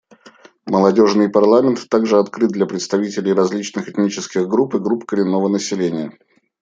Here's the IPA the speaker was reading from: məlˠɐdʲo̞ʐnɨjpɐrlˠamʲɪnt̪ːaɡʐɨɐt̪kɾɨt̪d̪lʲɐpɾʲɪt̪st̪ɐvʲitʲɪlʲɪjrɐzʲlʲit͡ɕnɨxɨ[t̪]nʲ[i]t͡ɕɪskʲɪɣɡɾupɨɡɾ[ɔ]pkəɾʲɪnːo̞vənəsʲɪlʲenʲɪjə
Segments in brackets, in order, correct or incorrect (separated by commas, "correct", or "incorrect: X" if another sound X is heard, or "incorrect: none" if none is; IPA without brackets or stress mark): correct, correct, incorrect: u